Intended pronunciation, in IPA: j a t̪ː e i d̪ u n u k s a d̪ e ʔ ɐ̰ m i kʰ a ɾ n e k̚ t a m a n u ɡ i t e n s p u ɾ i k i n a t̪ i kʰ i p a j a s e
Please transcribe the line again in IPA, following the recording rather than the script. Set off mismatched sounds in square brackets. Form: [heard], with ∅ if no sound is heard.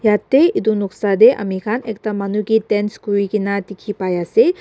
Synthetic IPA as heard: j a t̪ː e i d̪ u n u k s a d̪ e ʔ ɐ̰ m i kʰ a [∅] n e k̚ t a m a n u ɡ i t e n s [k] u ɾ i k i n a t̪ i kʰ i p a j a s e

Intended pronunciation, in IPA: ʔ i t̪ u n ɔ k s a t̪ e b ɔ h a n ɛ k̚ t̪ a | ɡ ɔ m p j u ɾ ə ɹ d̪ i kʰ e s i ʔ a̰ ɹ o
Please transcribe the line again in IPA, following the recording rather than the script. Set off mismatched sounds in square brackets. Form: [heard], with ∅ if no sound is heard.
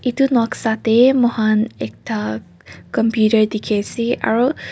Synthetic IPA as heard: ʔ i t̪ u n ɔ k s a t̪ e [m] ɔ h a n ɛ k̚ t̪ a | [k] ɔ m p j u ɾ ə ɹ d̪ i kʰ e s i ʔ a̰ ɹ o

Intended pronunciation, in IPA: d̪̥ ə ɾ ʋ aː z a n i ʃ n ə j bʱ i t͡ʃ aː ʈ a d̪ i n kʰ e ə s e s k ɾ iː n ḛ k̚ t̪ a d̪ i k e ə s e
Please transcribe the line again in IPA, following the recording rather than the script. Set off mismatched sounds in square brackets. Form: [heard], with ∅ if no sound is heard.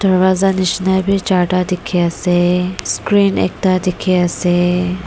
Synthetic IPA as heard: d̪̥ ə ɾ ʋ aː z a n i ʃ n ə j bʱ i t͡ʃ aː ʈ a d̪ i [∅] kʰ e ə s e s k ɾ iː n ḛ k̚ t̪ a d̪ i [kʰ] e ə s e

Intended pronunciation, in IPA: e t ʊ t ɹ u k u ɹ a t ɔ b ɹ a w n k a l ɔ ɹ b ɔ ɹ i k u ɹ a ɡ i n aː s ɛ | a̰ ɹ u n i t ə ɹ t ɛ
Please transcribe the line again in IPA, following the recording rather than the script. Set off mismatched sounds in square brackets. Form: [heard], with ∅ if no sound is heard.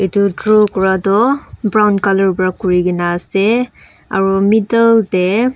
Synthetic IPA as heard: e t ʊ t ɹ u k [ɔ] ɹ a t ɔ b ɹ a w n k a l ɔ ɹ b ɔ ɹ [a] k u ɹ [i] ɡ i n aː s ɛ | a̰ ɹ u [m] i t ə [l] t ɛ

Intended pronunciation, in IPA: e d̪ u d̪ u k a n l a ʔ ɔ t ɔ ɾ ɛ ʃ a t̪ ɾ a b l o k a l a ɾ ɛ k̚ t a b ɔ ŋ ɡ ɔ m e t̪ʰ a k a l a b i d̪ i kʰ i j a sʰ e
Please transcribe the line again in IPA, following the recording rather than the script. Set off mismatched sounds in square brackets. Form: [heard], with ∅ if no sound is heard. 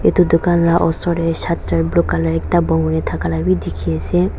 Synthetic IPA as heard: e [t̪] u d̪ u k a n l a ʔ ɔ [s] ɔ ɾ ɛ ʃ a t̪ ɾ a b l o k a l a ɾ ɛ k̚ t a b ɔ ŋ ɡ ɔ [n] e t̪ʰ a k a l a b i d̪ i kʰ i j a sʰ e

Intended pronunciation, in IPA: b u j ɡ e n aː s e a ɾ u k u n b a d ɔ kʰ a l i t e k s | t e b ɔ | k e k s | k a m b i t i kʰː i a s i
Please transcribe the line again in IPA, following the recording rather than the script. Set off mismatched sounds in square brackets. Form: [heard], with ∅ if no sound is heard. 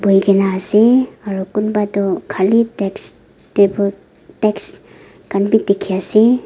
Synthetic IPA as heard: b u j ɡ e n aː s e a ɾ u k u n b a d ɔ kʰ a l i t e k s | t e b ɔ | [t] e k s | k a [n] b i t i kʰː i a s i

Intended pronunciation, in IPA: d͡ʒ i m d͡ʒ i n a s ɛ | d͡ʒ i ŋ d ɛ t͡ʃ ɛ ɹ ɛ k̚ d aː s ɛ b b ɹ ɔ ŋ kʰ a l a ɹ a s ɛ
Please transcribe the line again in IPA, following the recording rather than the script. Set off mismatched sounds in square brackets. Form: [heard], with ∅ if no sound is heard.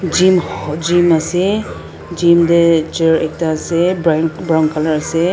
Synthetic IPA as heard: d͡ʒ i m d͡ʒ i [m] a s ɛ | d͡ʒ i [m] d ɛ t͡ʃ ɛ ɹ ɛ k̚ [t] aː s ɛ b b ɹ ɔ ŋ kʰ a l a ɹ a s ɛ

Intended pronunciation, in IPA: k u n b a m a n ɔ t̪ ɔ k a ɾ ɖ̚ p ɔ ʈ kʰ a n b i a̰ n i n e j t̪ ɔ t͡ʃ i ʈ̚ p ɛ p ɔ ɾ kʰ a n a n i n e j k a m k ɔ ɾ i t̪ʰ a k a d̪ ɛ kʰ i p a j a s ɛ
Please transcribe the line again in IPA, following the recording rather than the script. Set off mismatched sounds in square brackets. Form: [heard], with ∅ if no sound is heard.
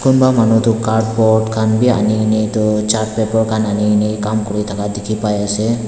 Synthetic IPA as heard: k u n b a m a n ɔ t̪ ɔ k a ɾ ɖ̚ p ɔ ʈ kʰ a n b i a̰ n i n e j t̪ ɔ t͡ʃ [a] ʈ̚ p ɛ p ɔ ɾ kʰ a n a n i n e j k a m k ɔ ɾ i t̪ʰ a k a d̪ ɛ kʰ i p a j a s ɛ

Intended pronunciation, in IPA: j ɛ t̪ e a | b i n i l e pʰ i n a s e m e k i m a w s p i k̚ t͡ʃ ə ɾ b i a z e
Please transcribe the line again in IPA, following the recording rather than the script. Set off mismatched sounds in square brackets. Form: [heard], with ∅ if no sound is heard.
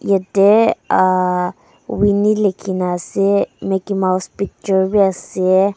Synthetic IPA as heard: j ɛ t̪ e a | [w] i n i l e [kʰ] i n a s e m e k i m a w s p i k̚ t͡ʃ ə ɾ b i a [s] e

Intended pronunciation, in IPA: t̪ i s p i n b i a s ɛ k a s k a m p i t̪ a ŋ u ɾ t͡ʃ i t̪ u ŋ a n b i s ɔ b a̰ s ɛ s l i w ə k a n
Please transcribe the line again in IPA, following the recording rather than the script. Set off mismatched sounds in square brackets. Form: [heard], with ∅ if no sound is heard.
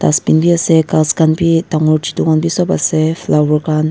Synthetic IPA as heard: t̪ [a] s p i n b i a s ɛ k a s k a [n] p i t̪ a ŋ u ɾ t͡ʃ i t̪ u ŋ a n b i s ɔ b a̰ s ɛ [f] l [a] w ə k a n

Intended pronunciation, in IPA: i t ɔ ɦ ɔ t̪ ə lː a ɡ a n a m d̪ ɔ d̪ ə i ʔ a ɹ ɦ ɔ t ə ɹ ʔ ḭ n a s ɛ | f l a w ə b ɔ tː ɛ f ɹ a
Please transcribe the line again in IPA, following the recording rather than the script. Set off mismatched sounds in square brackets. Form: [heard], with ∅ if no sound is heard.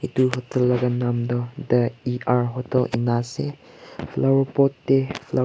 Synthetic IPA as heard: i t [u] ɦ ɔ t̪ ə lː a ɡ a n a m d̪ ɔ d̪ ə i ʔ a ɹ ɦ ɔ t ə [l] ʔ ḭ n a s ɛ | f l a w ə [p] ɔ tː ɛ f [l] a

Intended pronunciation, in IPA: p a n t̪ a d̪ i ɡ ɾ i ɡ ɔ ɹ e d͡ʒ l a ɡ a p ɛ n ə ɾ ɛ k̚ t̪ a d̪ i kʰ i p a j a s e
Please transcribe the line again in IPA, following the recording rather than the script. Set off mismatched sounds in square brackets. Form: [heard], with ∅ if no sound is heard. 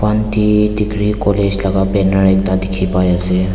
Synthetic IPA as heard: p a n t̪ [i] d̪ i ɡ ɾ i [k] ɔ [l] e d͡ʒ l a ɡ a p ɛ n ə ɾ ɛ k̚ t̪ a d̪ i kʰ i p a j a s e

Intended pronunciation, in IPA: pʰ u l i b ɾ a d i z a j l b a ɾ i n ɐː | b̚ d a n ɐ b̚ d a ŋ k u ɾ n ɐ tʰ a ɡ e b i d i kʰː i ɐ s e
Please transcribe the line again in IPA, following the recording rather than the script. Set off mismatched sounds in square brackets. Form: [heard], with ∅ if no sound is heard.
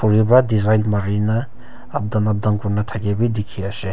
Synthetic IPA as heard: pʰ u [ɾ] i b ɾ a d i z a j l [m] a ɾ i n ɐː | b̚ d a n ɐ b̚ d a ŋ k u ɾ n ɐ tʰ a ɡ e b i d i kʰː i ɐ s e

